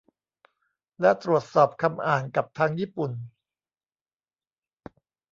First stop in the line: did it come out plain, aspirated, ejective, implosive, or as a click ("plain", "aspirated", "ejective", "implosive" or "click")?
plain